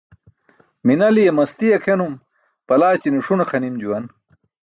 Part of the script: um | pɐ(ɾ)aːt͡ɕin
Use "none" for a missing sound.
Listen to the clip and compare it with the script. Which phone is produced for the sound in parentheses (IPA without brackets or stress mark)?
l